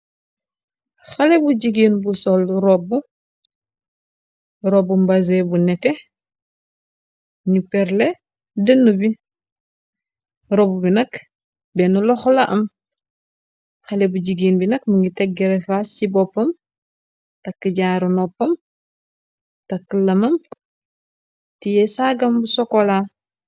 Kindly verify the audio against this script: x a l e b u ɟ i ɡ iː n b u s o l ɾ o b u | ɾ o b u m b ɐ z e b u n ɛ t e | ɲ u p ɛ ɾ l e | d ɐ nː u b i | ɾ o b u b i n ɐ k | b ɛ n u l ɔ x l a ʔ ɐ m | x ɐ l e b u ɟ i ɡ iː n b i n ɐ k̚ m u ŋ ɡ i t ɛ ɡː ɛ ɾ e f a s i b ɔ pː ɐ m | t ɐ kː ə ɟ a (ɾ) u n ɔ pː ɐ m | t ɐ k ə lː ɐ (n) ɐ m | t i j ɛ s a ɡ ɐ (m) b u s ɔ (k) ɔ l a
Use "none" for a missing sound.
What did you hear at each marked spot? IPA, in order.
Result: ɾ, m, m, k

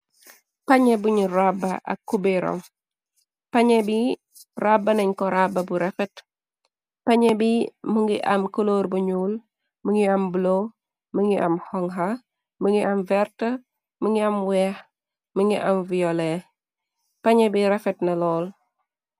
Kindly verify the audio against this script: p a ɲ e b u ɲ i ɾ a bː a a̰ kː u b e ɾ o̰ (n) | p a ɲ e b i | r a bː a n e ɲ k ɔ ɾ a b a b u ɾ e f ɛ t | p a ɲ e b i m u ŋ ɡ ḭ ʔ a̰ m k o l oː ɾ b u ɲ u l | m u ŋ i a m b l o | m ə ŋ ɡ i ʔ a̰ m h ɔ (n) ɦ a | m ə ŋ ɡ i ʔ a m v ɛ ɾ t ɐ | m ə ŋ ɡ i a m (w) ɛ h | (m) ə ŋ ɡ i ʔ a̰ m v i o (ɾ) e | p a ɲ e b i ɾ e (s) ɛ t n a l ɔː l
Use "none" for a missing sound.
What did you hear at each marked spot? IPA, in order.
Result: m, ŋ, w, m, l, f

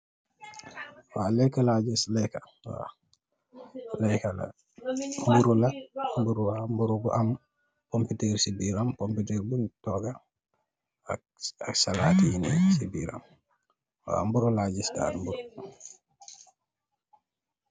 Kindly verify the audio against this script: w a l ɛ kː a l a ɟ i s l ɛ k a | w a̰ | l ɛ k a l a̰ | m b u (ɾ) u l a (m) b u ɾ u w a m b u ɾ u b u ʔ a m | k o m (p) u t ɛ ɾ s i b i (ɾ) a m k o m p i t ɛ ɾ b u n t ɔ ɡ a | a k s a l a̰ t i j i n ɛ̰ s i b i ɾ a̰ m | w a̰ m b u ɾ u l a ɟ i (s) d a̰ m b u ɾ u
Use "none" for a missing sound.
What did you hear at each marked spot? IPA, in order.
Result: ɾ, m, p, ɾ, s

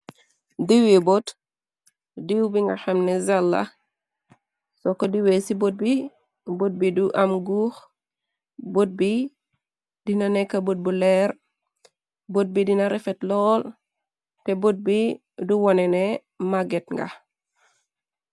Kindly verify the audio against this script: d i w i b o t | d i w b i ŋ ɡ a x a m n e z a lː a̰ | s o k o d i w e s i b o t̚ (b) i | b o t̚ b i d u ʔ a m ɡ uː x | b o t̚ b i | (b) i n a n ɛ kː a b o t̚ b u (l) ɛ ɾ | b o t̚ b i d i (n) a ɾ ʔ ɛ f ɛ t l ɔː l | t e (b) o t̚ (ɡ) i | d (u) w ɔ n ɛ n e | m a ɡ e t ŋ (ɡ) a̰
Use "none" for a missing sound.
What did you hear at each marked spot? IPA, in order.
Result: b, d, l, n, b, b, u, ɡ

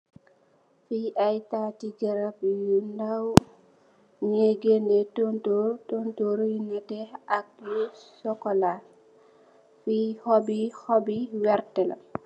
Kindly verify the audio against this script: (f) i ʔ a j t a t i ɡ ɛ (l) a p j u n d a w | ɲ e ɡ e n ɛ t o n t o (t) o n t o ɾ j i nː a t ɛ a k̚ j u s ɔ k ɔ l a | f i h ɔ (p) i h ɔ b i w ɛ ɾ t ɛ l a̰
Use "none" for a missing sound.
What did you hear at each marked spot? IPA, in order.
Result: f, ɾ, t, b

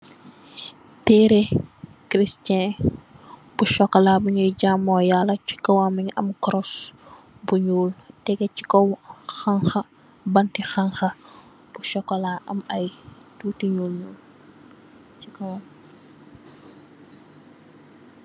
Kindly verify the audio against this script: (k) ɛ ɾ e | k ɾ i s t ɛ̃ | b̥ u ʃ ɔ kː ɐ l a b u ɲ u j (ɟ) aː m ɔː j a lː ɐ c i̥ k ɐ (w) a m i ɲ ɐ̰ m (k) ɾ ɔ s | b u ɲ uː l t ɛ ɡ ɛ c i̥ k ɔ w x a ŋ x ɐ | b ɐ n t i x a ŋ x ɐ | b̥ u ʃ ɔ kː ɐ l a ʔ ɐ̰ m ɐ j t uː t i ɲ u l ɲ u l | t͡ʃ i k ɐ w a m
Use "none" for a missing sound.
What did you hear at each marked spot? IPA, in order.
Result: t, ɟ, w, k

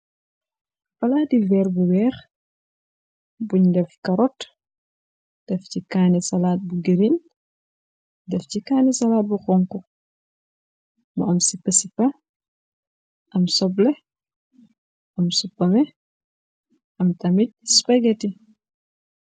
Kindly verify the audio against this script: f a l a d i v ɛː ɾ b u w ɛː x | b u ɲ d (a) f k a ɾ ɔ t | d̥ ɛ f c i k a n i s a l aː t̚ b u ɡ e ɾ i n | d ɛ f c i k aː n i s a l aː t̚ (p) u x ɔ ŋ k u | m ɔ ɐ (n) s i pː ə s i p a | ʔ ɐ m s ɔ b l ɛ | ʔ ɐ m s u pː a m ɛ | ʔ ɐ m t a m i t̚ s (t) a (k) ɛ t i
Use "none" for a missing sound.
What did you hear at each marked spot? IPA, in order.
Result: ɛ, b, m, p, ɡ

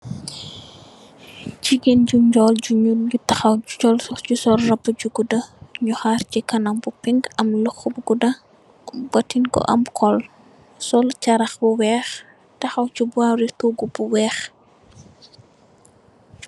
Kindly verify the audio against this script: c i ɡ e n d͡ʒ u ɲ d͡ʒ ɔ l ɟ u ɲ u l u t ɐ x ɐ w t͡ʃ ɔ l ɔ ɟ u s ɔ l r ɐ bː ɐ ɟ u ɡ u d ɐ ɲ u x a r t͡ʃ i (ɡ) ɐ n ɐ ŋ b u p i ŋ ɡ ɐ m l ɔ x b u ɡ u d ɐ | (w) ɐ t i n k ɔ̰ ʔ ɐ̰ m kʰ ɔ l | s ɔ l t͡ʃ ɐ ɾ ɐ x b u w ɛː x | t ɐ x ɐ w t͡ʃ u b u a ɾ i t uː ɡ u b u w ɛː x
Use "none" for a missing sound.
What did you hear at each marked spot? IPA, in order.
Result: k, b

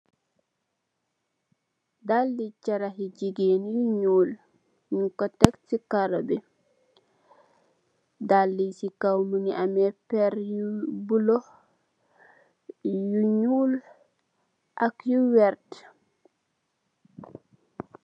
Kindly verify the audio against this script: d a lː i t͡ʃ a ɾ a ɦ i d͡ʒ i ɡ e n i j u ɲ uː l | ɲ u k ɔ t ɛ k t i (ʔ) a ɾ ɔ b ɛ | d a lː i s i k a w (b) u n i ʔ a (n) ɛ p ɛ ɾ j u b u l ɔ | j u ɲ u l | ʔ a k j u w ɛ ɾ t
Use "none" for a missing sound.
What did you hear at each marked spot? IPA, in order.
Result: k, m, m

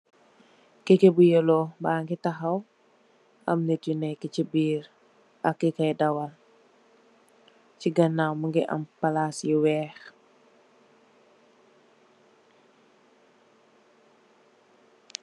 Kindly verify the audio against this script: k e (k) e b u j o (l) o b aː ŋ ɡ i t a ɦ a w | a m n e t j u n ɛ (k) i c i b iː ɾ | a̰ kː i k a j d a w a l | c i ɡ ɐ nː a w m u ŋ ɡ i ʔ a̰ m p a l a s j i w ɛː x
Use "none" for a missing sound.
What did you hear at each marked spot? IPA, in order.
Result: k, l, k

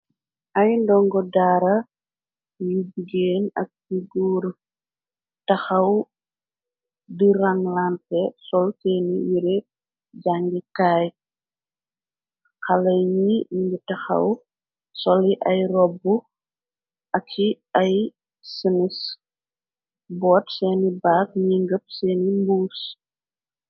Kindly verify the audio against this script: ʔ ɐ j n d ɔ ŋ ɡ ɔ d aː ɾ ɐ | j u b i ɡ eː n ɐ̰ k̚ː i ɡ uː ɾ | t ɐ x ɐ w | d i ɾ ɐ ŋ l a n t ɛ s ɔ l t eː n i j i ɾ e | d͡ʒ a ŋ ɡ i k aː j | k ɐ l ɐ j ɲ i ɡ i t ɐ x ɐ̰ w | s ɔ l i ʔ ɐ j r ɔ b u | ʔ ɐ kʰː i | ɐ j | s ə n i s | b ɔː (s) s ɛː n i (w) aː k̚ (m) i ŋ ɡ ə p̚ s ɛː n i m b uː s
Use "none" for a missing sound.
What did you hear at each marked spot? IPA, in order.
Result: t, b, ɲ

